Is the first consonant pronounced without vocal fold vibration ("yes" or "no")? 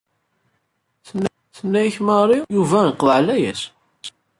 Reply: yes